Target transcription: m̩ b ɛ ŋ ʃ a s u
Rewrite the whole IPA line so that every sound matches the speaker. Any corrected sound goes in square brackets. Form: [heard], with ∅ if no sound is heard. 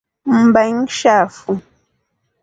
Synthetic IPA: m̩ b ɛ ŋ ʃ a [f] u